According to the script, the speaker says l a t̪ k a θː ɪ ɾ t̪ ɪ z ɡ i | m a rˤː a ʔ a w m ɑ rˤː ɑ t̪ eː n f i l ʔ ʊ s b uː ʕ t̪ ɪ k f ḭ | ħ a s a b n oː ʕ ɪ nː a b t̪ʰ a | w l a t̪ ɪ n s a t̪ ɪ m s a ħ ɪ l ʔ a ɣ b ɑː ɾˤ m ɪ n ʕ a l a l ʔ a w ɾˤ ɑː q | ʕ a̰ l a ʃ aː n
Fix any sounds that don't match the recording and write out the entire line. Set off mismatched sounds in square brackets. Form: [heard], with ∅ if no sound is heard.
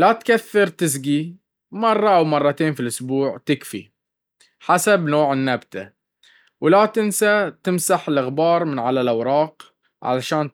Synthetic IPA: l a t̪ k a θː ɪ ɾ t̪ ɪ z ɡ i | m [ɑ] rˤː [ɑ] ʔ a w m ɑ rˤː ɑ t̪ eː n f i l ʔ ʊ s b uː ʕ t̪ ɪ k f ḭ | ħ a s a b n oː ʕ ɪ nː a b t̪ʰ a | w l a t̪ ɪ n s a t̪ ɪ m s a ħ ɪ l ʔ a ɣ b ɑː ɾˤ m ɪ n ʕ a l a l ʔ a w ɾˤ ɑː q | ʕ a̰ l a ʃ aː n